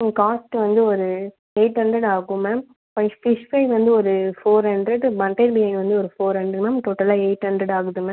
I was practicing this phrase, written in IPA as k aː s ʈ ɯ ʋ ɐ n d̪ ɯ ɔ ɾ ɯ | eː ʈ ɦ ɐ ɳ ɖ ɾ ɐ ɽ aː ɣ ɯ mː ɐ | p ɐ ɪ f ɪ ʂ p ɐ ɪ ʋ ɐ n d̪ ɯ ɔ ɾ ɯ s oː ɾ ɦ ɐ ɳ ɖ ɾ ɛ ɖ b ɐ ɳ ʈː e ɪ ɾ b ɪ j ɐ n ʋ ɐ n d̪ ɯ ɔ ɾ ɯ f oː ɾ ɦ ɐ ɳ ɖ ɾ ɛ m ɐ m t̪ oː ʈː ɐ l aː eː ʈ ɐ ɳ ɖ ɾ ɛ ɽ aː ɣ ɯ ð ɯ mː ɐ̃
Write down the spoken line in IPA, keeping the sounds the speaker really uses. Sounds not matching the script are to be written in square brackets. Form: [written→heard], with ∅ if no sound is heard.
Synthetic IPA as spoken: k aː s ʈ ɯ ʋ ɐ n d̪ ɯ ɔ ɾ ɯ | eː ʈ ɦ ɐ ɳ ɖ ɾ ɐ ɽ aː ɣ ɯ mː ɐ | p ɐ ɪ f ɪ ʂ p ɐ ɪ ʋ ɐ n d̪ ɯ ɔ ɾ ɯ [s→f] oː ɾ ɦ ɐ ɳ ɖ ɾ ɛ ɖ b ɐ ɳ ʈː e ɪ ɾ b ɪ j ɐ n ʋ ɐ n d̪ ɯ ɔ ɾ ɯ f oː ɾ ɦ ɐ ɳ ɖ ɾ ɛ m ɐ m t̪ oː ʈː ɐ l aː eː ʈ ɐ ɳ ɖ ɾ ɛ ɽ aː ɣ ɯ ð ɯ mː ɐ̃